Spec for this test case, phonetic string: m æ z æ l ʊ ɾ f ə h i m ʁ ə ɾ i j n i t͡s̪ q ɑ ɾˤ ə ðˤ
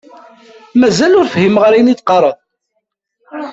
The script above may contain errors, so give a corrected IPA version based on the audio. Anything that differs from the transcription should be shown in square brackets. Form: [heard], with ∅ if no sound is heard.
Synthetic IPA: m æ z æ l ʊ ɾ f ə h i m ʁ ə ɾ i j n i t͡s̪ q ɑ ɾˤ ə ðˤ